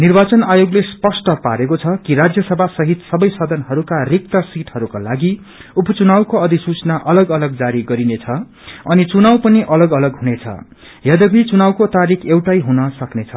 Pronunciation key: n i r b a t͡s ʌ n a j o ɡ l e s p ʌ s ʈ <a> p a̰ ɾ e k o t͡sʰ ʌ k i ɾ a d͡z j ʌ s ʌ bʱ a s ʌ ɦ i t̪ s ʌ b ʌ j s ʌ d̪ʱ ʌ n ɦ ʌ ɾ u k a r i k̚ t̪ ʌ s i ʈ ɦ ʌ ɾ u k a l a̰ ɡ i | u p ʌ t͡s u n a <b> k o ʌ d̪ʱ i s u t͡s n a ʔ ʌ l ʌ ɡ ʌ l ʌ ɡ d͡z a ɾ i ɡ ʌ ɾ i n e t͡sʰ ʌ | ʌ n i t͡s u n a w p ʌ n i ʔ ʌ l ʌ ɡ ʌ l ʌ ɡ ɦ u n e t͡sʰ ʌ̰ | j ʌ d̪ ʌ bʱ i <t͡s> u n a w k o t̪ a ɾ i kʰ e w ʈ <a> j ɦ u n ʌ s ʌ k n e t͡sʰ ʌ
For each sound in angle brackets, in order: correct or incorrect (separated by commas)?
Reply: incorrect, incorrect, correct, correct